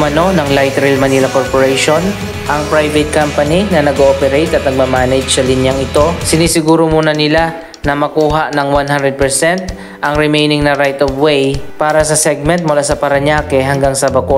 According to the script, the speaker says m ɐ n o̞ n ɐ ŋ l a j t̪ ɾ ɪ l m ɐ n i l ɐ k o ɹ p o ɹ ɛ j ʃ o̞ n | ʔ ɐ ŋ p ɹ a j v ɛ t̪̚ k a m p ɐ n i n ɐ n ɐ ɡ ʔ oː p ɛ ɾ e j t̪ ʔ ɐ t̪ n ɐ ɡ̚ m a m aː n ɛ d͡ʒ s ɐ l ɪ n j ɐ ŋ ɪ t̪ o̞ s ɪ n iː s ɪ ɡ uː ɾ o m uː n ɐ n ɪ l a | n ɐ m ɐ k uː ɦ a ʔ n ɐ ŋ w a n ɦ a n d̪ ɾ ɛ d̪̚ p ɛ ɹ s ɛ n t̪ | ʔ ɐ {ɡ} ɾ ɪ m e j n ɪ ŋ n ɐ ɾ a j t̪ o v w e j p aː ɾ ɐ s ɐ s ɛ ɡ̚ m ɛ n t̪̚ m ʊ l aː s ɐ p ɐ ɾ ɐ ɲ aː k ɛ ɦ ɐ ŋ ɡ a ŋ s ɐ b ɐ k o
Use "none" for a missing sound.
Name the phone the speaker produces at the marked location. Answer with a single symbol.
ŋ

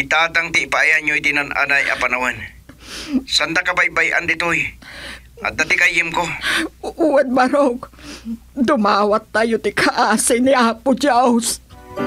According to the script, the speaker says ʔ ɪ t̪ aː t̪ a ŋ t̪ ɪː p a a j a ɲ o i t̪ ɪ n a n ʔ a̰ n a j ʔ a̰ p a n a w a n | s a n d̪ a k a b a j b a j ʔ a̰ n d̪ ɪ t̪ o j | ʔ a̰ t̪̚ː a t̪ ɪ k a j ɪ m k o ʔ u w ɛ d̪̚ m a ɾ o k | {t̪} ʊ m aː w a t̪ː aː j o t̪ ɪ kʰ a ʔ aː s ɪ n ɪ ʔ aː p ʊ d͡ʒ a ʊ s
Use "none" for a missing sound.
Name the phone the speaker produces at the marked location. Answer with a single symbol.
d̪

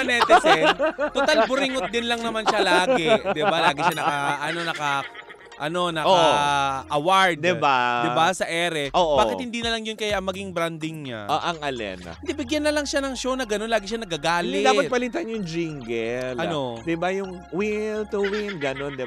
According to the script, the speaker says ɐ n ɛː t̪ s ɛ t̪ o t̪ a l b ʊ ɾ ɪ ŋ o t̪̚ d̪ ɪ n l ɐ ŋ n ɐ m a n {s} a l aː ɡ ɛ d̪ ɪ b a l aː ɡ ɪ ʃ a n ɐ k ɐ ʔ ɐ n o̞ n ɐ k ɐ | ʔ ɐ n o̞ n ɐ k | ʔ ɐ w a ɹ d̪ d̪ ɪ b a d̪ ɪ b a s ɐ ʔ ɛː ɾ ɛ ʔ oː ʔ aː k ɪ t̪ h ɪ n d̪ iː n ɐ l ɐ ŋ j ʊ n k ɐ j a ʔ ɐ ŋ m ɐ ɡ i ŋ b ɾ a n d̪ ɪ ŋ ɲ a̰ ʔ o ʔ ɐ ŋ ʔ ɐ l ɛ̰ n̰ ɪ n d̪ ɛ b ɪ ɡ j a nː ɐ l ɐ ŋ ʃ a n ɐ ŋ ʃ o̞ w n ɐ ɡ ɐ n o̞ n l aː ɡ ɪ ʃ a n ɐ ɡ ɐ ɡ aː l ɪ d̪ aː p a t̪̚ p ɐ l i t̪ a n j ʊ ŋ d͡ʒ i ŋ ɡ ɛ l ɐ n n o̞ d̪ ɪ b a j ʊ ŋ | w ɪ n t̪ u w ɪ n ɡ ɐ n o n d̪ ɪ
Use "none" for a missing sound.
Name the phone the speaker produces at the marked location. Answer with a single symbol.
ʃ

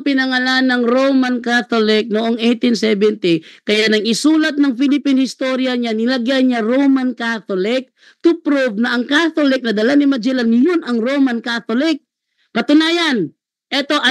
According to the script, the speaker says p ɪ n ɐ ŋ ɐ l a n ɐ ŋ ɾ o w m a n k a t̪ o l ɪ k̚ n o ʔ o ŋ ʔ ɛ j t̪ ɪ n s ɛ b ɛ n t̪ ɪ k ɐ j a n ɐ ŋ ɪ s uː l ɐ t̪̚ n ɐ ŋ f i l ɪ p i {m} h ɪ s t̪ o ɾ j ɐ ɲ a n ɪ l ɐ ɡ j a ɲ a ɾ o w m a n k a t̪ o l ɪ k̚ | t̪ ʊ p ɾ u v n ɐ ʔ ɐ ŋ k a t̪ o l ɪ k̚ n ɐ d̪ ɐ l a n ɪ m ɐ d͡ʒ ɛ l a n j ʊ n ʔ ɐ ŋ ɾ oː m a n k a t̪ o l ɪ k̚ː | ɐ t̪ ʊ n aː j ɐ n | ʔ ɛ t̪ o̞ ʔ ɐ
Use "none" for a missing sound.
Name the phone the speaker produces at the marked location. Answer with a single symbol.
n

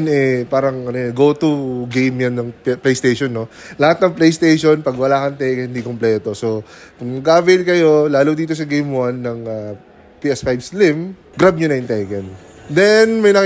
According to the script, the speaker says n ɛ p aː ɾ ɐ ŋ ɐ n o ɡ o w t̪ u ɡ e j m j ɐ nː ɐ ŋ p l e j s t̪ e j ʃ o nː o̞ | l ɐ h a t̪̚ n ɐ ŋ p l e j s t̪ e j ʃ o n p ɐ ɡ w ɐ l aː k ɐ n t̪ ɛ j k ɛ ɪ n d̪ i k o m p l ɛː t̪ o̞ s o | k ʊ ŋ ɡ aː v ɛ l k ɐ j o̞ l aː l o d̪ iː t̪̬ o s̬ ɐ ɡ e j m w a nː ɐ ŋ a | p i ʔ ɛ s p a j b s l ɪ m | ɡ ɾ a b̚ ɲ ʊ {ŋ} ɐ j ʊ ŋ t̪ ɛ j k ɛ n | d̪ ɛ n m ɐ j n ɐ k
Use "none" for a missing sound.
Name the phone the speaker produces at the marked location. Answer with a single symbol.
n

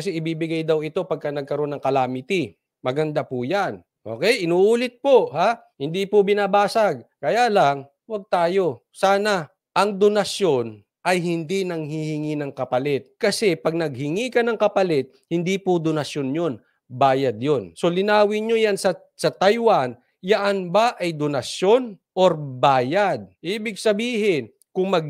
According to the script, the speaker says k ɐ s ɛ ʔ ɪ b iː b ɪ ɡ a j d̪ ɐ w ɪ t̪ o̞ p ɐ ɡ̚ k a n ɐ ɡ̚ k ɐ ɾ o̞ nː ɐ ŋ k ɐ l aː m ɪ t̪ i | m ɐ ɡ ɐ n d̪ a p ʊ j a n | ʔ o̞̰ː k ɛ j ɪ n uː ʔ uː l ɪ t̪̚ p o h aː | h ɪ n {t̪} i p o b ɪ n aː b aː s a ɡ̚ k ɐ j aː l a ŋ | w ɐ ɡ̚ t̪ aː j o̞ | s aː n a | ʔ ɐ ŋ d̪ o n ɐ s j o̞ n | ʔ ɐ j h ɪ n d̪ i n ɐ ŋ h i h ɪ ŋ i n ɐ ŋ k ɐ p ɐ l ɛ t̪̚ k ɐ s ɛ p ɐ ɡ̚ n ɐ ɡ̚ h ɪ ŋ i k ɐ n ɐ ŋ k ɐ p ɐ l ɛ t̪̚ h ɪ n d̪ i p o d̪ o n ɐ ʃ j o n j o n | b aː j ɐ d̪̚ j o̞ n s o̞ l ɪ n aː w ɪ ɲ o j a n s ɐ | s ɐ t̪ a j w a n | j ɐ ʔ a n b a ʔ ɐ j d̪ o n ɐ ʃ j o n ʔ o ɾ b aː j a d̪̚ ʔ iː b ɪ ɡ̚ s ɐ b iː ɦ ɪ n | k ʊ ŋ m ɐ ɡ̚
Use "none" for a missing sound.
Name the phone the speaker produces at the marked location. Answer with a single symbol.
d̪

